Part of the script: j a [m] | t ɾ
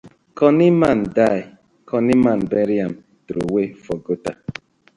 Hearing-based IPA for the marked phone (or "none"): m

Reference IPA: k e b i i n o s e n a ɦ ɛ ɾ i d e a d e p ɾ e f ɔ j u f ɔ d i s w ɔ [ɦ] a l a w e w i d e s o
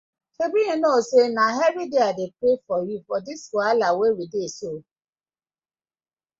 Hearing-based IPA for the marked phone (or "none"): none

